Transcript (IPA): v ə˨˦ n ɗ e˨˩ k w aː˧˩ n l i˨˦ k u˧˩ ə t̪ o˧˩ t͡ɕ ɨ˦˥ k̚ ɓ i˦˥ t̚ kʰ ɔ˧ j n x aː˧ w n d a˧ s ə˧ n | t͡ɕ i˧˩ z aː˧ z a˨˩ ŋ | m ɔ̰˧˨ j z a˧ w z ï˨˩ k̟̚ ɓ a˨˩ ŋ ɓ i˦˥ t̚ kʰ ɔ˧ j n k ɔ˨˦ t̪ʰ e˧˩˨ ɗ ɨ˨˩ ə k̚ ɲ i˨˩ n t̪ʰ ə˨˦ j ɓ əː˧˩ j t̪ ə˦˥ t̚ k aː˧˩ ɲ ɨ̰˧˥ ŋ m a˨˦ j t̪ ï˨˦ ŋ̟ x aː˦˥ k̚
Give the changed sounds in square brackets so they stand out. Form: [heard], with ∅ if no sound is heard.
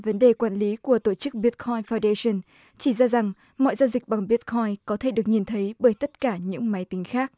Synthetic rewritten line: v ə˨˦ n ɗ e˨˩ k w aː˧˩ n l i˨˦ k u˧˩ ə t̪ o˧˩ t͡ɕ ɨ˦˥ k̚ ɓ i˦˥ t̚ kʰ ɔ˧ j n [f] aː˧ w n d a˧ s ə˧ n | t͡ɕ i˧˩ z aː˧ z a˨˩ ŋ | m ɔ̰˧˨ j z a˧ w z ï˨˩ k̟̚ ɓ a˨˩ ŋ ɓ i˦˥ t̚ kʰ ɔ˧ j n k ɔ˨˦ t̪ʰ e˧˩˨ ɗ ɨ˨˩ ə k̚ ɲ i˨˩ n t̪ʰ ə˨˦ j ɓ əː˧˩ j t̪ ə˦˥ t̚ k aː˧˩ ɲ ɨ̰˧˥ ŋ m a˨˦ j t̪ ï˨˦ ŋ̟ x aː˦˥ k̚